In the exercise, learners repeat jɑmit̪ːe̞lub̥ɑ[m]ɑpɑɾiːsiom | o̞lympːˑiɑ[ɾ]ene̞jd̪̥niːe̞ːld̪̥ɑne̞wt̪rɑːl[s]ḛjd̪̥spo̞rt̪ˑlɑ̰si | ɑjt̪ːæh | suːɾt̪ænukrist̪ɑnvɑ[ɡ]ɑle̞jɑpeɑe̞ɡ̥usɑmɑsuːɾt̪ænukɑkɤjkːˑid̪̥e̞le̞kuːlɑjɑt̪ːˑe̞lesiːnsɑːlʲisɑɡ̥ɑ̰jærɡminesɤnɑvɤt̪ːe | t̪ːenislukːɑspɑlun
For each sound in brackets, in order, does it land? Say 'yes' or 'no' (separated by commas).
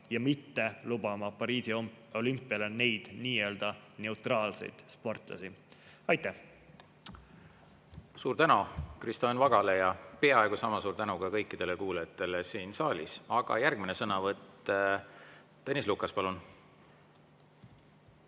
yes, no, yes, yes